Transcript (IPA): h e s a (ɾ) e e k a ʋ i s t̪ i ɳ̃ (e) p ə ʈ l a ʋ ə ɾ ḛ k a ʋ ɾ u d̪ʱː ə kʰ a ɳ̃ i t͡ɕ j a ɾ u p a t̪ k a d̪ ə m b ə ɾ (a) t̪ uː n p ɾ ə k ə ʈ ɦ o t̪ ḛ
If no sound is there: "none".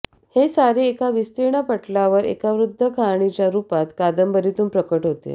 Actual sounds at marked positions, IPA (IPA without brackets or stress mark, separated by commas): ɾ, a, i